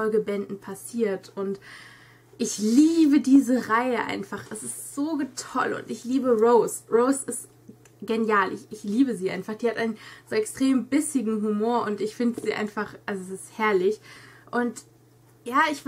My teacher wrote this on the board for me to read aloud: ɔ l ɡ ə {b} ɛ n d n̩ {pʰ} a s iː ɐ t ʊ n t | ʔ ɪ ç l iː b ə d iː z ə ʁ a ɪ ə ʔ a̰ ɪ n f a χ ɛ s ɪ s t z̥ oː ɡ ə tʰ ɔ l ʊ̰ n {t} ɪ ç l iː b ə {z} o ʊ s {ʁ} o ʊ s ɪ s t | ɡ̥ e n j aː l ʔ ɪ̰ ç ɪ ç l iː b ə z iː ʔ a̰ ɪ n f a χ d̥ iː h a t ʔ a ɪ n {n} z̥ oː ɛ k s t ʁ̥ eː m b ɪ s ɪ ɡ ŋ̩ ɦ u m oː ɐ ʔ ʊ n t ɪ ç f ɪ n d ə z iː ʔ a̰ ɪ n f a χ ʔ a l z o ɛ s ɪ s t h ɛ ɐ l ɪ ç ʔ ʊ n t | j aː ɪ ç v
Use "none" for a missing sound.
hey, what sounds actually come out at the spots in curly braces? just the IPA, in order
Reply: b, pʰ, t, ʁ, ʁ, n

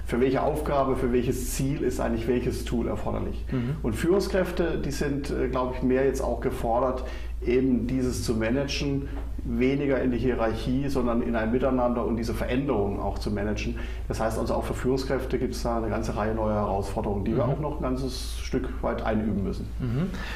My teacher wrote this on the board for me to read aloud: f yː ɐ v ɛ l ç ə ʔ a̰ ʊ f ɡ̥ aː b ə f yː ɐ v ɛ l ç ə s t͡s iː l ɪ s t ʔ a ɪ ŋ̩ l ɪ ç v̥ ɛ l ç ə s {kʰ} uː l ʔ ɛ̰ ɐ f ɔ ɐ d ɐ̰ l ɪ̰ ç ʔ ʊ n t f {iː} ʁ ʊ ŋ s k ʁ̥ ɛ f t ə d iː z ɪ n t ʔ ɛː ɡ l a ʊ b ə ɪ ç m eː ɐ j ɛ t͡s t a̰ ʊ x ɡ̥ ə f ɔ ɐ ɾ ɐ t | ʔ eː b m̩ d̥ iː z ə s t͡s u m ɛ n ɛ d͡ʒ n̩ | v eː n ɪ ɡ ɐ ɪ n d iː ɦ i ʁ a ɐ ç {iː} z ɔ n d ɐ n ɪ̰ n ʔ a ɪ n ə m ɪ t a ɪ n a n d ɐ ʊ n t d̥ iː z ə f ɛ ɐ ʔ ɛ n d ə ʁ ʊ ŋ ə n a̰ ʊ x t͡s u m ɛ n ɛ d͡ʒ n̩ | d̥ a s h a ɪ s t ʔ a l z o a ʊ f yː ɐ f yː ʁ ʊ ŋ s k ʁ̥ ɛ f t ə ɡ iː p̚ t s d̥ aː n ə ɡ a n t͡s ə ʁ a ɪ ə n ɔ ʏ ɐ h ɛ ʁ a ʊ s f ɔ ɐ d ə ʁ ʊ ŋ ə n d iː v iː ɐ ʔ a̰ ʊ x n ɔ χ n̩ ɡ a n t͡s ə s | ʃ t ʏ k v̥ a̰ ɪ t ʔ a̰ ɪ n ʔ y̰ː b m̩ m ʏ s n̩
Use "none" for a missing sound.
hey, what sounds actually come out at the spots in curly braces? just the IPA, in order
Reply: tʰ, yː, iː

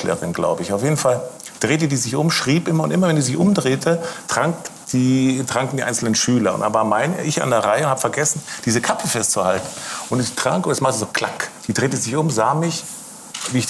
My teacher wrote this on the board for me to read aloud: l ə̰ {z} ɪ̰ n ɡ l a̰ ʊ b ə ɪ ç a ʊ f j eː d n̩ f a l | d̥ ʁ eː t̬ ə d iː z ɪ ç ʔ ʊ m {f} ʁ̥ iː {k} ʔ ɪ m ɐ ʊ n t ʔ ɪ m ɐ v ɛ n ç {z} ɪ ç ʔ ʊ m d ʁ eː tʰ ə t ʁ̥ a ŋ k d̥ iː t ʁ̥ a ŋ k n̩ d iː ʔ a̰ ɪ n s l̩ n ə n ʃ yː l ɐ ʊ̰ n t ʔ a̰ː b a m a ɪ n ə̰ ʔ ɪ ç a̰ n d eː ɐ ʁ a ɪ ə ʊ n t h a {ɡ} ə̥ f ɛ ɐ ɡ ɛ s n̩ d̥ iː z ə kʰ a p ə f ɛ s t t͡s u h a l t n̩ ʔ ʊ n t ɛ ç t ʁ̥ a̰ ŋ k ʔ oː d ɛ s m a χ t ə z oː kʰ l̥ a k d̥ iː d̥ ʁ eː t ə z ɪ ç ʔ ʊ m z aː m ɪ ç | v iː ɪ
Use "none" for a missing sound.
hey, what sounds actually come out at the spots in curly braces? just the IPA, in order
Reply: ʁ, ʃ, p, z, b

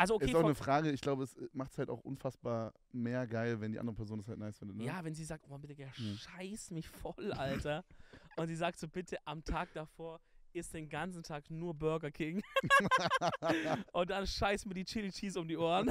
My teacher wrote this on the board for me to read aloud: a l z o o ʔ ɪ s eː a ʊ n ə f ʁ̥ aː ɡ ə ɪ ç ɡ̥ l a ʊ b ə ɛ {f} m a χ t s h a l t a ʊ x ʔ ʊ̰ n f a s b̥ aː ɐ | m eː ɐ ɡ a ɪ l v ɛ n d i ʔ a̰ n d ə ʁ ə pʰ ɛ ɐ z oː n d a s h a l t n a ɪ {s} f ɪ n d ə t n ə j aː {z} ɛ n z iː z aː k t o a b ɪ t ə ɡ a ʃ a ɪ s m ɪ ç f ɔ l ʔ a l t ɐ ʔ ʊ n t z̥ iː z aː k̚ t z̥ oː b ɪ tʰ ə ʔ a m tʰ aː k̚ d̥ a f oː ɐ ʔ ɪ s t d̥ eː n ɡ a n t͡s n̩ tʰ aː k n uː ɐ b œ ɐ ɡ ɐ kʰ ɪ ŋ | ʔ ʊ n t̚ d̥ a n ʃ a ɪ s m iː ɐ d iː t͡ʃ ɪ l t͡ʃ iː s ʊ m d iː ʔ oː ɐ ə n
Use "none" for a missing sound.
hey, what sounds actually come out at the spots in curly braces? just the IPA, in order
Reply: s, s, v

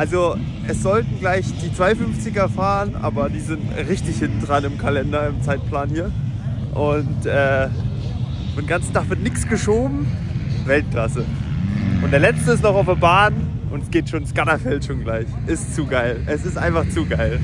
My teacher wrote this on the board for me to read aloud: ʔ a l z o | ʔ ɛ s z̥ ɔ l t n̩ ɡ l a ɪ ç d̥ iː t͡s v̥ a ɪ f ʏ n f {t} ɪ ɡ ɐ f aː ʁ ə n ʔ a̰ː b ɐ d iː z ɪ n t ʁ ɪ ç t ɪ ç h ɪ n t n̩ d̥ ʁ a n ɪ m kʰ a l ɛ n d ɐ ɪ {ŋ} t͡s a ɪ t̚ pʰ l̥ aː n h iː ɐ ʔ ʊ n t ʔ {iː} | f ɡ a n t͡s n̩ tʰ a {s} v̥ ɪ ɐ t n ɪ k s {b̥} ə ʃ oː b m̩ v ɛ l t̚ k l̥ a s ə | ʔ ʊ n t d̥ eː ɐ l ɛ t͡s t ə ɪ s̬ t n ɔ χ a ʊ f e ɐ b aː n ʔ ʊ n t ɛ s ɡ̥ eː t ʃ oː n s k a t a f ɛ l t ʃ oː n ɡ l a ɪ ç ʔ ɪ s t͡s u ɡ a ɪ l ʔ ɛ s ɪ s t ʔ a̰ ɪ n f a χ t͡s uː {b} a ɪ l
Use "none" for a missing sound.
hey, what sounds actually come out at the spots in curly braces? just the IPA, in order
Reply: t͡s, m, ɛː, χ, ɡ̥, ɡ

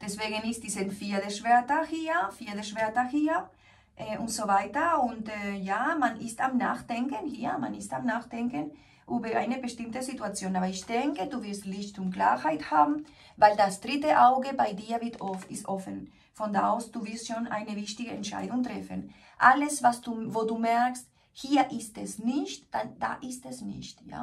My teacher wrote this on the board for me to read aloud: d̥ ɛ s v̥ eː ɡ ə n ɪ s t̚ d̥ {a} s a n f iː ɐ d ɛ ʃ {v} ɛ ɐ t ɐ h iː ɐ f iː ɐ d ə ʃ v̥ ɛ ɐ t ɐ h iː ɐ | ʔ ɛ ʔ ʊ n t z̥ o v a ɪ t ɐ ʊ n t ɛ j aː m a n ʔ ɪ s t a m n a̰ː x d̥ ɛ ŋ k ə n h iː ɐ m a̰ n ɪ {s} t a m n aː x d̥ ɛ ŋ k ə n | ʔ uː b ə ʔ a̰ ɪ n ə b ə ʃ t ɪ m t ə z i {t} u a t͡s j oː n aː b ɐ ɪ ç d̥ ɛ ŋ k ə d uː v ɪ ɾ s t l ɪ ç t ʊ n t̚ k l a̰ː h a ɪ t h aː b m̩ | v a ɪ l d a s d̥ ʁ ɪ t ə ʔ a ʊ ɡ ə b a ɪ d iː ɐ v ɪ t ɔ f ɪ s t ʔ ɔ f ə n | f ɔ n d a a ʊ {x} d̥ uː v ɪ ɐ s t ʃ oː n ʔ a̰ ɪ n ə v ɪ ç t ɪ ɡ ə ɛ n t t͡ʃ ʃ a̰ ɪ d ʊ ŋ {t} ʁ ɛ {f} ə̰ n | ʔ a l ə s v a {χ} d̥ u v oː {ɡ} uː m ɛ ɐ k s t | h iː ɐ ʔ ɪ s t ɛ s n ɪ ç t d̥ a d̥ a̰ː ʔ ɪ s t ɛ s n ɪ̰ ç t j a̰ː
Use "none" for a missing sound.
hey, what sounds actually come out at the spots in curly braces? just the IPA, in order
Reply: i, v, s, t, s, t, f, s, d

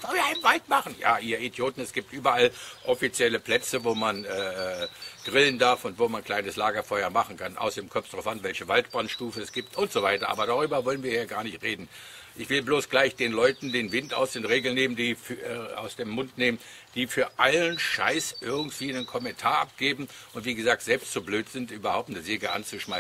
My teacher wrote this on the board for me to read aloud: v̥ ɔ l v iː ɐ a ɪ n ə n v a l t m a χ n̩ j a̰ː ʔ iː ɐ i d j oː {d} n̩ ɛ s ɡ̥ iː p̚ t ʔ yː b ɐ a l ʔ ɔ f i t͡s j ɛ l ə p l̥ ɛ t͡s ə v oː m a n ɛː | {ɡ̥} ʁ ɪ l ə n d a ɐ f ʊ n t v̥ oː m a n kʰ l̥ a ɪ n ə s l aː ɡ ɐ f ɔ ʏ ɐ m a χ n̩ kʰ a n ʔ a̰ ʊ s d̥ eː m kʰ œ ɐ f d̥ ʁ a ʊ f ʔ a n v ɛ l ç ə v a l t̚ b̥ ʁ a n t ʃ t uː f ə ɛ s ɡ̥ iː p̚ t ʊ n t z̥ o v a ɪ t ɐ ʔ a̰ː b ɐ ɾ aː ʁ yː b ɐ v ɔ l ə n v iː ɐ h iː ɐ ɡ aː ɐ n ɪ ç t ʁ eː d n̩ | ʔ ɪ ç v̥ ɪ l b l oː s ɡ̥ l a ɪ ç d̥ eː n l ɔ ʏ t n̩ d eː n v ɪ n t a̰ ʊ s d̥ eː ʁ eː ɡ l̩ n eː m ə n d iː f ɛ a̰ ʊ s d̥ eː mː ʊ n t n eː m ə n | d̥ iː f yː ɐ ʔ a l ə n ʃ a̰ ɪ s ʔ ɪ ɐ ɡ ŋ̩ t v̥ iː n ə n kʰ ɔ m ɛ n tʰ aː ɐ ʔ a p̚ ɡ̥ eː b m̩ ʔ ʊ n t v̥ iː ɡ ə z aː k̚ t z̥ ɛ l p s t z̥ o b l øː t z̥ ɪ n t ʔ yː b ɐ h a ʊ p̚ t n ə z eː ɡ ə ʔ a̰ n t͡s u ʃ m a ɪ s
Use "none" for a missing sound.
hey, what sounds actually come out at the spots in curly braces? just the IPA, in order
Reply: t, ɡ̥

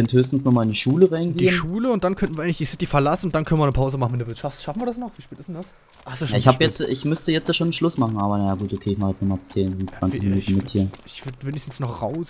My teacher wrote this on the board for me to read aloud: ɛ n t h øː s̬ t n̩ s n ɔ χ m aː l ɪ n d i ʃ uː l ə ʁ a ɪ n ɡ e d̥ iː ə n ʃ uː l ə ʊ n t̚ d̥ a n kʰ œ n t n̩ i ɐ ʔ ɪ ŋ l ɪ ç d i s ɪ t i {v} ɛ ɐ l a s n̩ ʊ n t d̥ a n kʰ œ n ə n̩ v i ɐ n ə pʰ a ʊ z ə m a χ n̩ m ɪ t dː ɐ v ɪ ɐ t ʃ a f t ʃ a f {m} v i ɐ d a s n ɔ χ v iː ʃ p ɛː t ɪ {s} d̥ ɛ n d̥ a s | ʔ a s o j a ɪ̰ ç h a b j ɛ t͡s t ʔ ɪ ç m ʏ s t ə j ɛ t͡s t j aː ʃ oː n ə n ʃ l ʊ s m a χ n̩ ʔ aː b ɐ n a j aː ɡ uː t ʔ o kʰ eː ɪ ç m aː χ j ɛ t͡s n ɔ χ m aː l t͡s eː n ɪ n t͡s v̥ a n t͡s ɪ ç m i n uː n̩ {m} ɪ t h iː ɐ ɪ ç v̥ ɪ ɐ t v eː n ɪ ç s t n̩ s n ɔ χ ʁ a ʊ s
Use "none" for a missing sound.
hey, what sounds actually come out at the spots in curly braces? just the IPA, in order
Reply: f, n, s, m

